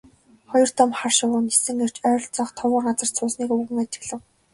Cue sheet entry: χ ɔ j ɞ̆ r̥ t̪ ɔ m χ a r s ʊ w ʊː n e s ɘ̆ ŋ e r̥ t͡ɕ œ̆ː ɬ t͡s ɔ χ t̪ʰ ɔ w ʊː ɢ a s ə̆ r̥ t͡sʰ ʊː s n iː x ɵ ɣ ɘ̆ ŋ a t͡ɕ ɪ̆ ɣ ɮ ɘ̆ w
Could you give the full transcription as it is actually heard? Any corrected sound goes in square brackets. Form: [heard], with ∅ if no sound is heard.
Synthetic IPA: χ ɔ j ɞ̆ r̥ t̪ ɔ m χ a r [ʃ] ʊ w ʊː n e s ɘ̆ ŋ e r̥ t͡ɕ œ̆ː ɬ t͡s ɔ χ t̪ʰ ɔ w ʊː ɢ a [t͡s] ə̆ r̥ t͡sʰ ʊː s n iː [k] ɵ ɣ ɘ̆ ŋ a t͡ɕ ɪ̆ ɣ ɮ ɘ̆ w

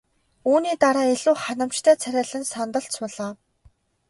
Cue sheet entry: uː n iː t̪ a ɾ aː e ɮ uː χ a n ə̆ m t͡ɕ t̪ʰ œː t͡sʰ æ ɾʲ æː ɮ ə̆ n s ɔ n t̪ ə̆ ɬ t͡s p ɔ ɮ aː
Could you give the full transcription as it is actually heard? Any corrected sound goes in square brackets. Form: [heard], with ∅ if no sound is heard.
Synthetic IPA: uː n iː t̪ a ɾ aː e ɮ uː χ a n ə̆ m t͡ɕ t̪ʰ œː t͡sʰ æ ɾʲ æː ɮ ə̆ n s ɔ n t̪ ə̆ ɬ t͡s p ɔ ɮ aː

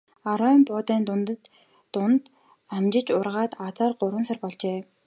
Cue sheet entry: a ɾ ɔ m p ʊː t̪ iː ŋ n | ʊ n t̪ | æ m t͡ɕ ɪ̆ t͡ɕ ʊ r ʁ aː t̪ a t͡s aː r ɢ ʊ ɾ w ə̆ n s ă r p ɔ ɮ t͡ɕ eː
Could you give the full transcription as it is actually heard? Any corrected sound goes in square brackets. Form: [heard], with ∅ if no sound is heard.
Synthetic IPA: a ɾ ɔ m p ʊː t̪ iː [n] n | ʊ n t̪ | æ m t͡ɕ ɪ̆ t͡ɕ ʊ r ʁ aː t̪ a t͡s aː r ɢ ʊ ɾ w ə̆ n s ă r p ɔ ɮ t͡ɕ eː

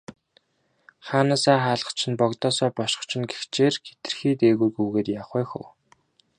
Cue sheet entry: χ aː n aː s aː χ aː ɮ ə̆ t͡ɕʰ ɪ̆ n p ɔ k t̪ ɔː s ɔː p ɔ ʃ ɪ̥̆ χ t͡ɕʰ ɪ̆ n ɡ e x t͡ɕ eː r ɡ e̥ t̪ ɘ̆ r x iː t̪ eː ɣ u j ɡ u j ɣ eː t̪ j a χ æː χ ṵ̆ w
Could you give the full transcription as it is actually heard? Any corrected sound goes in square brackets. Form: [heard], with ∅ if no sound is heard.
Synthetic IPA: χ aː n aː s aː χ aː ɮ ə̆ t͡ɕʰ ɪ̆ n p ɔ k t̪ ɔː s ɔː p ɔ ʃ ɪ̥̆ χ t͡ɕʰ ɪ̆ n ɡ e x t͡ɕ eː r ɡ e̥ t̪ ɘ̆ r x iː t̪ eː ɣ u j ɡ u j ɣ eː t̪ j a χ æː [x] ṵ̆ w

